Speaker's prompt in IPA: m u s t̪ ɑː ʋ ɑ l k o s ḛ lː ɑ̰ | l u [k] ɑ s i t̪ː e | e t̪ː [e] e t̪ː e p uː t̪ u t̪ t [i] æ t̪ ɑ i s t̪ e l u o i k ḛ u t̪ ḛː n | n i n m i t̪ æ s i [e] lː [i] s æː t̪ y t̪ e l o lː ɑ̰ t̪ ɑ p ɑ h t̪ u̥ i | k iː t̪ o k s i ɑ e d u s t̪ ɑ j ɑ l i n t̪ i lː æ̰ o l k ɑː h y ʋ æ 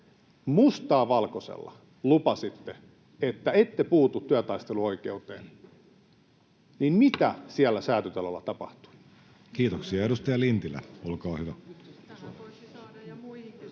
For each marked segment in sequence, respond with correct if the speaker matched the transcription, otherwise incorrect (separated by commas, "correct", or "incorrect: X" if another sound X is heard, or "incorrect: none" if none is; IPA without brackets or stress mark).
incorrect: p, incorrect: æ, incorrect: y, incorrect: æ, incorrect: æ